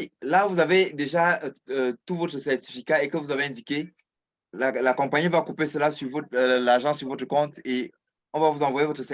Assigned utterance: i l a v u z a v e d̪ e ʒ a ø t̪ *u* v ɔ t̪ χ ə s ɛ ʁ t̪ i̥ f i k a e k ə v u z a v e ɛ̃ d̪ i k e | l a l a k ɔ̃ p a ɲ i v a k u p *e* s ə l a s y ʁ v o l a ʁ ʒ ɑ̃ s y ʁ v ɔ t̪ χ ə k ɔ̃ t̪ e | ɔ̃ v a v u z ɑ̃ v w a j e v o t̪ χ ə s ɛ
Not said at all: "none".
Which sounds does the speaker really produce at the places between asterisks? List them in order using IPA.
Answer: u, e

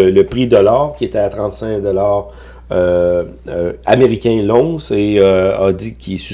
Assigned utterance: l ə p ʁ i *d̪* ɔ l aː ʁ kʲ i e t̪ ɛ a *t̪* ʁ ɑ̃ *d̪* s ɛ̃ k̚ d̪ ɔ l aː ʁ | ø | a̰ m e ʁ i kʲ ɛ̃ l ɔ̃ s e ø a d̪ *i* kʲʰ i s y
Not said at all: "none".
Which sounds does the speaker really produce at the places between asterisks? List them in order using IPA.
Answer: d̪, t̪, t̪, i

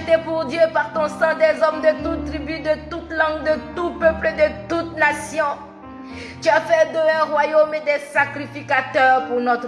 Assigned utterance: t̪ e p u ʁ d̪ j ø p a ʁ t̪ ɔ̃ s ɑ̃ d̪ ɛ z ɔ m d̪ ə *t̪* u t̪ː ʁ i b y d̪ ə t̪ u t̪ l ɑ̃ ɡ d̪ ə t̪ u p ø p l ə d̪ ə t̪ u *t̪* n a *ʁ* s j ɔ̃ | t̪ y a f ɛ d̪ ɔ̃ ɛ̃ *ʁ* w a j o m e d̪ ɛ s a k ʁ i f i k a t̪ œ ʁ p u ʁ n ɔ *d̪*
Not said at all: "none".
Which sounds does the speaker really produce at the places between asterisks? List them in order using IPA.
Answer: t̪, t̪, none, ʁ, t̪

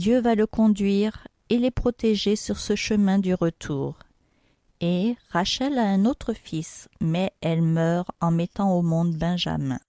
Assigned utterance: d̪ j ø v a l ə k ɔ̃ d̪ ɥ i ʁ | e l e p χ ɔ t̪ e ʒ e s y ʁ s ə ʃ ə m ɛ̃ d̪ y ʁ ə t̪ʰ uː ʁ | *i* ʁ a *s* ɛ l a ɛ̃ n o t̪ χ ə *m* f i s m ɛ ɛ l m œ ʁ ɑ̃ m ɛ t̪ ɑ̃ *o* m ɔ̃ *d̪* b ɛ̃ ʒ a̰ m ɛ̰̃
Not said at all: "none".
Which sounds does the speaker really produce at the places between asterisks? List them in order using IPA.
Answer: e, ʃ, none, o, d̪

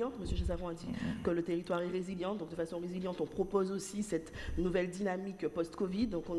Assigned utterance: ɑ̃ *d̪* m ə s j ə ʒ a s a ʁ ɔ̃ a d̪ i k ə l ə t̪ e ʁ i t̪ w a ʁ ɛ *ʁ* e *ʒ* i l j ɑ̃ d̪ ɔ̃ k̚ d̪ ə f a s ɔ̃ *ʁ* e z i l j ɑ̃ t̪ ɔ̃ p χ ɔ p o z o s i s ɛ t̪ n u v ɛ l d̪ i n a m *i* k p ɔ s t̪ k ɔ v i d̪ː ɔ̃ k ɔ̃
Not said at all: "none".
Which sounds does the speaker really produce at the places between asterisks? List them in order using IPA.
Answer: t̪, ʁ, z, ʁ, i

